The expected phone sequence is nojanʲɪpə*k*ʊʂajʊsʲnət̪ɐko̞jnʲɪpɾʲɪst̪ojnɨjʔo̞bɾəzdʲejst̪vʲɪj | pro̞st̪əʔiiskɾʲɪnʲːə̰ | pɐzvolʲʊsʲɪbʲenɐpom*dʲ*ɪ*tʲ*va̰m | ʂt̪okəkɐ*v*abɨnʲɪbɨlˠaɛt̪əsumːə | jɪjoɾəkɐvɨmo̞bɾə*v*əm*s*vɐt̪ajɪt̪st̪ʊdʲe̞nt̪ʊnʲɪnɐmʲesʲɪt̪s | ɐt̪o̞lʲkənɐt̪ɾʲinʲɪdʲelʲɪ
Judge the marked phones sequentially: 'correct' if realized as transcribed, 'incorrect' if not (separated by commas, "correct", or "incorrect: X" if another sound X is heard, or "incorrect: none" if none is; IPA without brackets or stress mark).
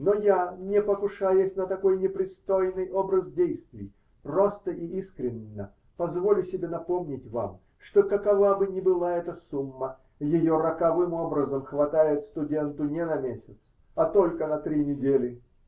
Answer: correct, incorrect: nʲ, correct, correct, incorrect: z, incorrect: x